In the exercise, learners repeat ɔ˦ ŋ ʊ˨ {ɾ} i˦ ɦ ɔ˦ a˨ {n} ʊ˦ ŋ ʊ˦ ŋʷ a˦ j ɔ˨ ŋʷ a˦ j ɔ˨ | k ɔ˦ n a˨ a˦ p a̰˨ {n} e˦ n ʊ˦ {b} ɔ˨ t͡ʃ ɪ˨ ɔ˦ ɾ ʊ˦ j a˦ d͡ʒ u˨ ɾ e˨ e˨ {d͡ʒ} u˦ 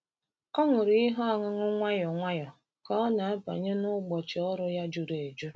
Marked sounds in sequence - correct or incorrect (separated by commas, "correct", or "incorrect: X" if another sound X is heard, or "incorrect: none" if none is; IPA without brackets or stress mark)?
correct, incorrect: ŋ, incorrect: ɲ, incorrect: ɡ͡b, correct